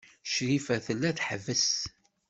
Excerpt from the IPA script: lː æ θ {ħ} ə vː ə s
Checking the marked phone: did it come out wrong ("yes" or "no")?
no